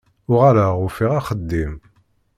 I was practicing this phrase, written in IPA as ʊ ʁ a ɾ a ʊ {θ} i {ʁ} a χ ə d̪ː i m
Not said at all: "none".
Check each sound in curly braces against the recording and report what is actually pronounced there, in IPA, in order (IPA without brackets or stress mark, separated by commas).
f, ʁ